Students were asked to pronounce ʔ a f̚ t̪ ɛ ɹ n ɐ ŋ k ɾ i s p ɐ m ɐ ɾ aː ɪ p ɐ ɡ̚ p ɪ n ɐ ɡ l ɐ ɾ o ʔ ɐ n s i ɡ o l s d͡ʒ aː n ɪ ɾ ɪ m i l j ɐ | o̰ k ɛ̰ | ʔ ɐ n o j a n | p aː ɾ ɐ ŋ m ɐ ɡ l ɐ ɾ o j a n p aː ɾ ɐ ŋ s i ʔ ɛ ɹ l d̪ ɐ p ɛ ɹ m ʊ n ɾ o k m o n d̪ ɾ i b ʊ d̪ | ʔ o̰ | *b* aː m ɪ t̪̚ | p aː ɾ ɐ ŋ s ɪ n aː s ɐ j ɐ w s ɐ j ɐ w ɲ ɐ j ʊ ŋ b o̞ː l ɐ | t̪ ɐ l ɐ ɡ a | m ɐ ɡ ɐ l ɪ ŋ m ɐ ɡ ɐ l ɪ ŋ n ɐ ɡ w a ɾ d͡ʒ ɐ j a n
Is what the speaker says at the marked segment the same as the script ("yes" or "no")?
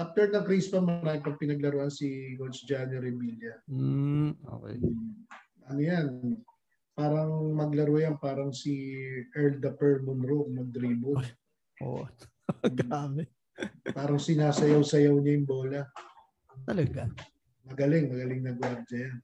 no